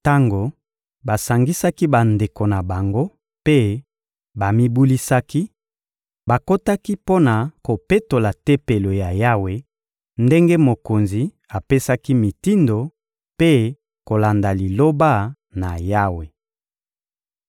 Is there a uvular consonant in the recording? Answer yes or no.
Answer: no